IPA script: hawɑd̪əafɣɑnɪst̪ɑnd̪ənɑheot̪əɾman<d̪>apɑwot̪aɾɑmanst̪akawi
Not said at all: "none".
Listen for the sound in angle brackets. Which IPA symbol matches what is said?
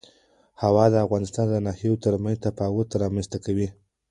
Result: t̪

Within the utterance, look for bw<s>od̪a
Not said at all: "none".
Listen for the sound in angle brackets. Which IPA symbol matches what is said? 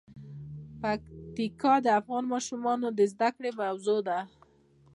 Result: z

